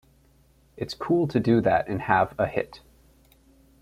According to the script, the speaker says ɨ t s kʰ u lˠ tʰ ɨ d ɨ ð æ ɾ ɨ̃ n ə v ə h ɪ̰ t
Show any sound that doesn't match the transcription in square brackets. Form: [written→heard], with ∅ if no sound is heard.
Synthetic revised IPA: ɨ t s kʰ u lˠ tʰ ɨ d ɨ ð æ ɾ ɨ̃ n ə v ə h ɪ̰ t